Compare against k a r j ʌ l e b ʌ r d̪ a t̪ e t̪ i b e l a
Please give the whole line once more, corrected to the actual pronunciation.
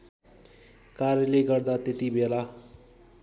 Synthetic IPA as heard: k a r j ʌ l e ɡ ʌ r d̪ a t̪ e t̪ i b e l a